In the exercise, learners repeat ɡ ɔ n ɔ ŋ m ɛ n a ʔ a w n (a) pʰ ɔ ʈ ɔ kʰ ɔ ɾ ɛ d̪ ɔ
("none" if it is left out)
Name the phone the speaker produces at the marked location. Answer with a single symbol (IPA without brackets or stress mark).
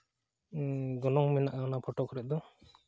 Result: a